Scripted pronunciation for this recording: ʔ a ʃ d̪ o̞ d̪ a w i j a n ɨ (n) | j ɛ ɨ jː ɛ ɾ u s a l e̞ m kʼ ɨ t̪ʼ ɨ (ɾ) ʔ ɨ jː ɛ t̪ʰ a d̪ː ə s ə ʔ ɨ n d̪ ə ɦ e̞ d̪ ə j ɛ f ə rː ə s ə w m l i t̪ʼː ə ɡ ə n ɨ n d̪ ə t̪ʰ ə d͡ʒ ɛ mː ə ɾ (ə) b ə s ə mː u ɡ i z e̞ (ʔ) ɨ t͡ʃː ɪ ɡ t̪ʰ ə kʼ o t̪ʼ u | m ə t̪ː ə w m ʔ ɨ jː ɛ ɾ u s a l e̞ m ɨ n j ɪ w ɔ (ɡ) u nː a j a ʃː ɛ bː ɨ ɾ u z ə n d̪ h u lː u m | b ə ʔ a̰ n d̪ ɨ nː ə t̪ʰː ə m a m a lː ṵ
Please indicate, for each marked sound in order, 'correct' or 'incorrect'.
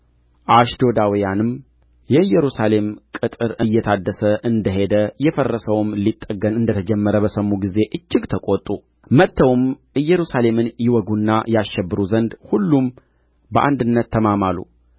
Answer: incorrect, correct, correct, correct, correct

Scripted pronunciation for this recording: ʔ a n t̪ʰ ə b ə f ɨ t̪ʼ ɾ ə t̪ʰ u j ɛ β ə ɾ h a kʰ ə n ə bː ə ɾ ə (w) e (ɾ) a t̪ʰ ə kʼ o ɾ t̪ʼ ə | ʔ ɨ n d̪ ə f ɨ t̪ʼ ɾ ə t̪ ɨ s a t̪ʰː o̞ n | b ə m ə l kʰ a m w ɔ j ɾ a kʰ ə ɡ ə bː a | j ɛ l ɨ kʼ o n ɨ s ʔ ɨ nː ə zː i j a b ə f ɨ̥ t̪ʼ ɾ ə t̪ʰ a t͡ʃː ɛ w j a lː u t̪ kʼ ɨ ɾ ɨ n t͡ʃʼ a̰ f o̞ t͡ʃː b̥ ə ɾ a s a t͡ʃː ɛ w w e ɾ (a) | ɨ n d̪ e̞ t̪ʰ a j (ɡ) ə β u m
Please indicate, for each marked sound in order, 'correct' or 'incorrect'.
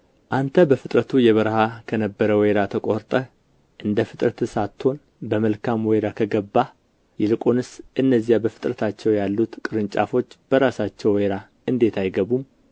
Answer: correct, correct, correct, correct

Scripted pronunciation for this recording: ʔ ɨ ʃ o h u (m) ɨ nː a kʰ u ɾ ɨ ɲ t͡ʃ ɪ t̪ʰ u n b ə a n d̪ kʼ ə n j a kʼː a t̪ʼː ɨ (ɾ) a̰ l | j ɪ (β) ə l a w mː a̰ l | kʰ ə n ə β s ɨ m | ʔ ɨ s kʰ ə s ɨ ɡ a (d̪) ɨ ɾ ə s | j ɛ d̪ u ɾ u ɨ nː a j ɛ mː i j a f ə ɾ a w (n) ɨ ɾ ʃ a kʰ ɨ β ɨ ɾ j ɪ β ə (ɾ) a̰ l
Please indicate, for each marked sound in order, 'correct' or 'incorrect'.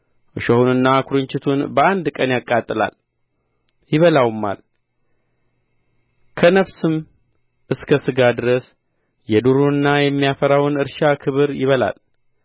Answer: incorrect, incorrect, correct, correct, correct, incorrect

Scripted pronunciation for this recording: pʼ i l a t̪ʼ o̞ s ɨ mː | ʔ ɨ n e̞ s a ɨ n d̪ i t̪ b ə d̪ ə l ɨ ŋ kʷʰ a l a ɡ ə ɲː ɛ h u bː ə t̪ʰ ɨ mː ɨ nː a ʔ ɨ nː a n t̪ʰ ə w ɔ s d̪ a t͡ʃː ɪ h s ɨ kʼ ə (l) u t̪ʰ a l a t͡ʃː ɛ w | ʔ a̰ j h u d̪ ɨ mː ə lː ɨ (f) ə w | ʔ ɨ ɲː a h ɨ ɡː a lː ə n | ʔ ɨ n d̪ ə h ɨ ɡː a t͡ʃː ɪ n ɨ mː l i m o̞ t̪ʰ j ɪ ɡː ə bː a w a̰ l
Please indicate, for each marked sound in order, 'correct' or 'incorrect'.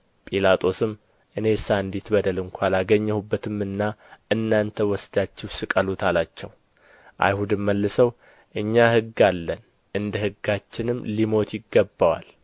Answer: correct, incorrect

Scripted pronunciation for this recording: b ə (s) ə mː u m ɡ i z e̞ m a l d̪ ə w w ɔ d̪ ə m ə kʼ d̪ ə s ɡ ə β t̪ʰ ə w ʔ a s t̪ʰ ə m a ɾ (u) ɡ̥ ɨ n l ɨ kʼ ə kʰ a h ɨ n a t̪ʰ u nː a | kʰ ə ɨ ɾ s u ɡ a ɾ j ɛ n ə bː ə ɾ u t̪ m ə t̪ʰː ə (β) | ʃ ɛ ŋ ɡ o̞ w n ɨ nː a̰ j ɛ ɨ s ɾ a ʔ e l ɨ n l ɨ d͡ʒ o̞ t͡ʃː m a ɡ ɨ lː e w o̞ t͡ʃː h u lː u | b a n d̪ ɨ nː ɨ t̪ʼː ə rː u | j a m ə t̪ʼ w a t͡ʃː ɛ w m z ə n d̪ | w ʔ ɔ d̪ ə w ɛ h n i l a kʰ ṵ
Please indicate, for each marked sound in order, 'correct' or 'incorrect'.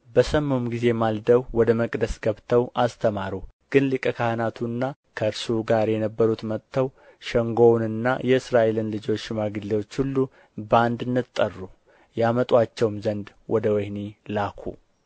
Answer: correct, correct, incorrect

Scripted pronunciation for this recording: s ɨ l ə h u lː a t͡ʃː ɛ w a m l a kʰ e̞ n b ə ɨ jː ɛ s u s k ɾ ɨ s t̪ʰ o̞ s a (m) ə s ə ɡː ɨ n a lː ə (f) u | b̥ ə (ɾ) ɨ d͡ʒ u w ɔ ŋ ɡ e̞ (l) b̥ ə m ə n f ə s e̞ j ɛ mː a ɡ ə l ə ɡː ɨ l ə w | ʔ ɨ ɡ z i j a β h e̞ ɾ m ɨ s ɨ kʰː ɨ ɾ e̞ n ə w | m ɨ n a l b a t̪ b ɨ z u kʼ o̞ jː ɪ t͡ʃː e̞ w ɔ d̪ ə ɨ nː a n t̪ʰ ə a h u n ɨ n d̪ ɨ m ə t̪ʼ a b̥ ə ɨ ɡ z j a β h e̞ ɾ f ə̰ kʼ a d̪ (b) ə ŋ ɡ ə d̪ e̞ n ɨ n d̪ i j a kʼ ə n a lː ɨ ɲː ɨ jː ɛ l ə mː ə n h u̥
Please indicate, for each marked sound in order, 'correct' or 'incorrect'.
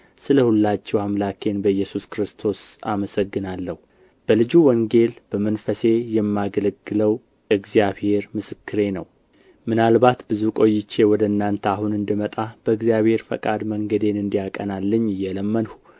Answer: correct, incorrect, incorrect, correct, incorrect

